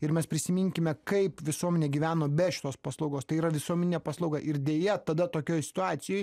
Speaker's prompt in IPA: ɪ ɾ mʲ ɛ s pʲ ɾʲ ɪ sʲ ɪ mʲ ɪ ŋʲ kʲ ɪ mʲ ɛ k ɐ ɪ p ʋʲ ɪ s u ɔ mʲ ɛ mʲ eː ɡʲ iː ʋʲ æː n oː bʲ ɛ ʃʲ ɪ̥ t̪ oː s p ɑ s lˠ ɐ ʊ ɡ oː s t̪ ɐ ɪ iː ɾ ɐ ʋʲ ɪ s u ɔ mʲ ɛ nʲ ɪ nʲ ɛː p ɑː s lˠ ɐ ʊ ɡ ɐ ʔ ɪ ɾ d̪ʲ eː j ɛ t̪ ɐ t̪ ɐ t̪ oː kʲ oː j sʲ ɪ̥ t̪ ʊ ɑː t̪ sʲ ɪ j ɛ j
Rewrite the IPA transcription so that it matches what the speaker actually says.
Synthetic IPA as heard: ɪ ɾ mʲ ɛ s pʲ ɾʲ ɪ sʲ ɪ mʲ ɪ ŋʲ kʲ ɪ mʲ ɛ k ɐ ɪ p ʋʲ ɪ s u ɔ mʲ ɛ nʲ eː ɡʲ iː ʋʲ æː n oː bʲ ɛ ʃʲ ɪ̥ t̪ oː s p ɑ s lˠ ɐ ʊ ɡ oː s t̪ ɐ ɪ iː ɾ ɐ ʋʲ ɪ s u ɔ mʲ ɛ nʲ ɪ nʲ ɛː p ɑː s lˠ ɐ ʊ ɡ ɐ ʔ ɪ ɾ d̪ʲ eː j ɛ t̪ ɐ d̪ ɐ t̪ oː kʲ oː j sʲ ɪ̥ t̪ ʊ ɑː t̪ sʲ ɪ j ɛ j

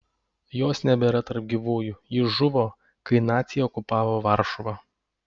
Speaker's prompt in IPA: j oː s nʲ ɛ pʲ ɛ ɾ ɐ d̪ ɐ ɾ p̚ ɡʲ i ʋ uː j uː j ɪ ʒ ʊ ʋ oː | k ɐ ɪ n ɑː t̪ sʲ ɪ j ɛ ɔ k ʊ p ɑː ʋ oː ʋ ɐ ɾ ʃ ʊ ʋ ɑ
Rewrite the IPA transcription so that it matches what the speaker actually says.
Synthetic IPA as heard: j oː s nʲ ɛ bʲ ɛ ɾ ɐ t̪ ɐ ɾ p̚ ɡʲ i ʋ uː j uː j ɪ ʒ ʊ ʋ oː | k ɐ ɪ n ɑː t̪ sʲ ɪ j ɛ ɔ k ʊ p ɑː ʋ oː ʋ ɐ ɾ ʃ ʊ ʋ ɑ

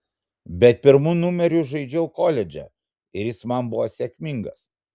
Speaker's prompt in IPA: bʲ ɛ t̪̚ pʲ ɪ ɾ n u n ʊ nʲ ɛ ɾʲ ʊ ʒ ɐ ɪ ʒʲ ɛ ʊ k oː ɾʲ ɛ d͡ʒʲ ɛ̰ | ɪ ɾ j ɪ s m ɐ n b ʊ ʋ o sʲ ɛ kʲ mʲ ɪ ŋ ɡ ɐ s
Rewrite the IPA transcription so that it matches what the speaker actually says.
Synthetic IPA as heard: bʲ ɛ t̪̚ pʲ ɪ ɾ m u n ʊ mʲ ɛ ɾʲ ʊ ʒ ɐ ɪ d͡ʒʲ ɛ ʊ k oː lʲ ɛ d͡ʒʲ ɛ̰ | ɪ ɾ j ɪ s m ɐ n b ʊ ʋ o sʲ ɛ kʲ mʲ ɪ ŋ ɡ ɐ s

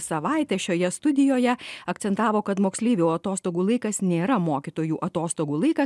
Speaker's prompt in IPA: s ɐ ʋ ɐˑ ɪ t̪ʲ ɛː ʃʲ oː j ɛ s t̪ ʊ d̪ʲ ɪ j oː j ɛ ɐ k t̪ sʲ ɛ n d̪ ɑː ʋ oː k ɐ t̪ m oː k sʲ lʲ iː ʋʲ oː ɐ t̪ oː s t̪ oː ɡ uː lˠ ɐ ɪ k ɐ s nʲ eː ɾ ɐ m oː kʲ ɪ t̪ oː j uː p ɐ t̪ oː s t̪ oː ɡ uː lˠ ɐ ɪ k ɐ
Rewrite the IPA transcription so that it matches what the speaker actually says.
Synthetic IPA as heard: s ɐ ʋ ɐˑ ɪ t̪ʲ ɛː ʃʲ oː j ɛ s t̪ ʊ d̪ʲ ɪ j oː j ɛ ɐ k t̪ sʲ ɛ n t̪ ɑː ʋ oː k ɐ t̪ m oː k sʲ lʲ iː ʋʲ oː ɐ t̪ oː s t̪ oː ɡ uː lˠ ɐ ɪ k ɐ s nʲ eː ɾ ɐ m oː kʲ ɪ t̪ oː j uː ʔ ɐ t̪ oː s t̪ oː ɡ uː lˠ ɐ ɪ k ɐ

